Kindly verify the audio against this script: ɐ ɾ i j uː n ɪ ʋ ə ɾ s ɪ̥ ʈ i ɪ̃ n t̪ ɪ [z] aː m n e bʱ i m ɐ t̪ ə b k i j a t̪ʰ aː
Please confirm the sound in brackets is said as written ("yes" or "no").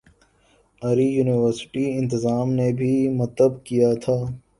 yes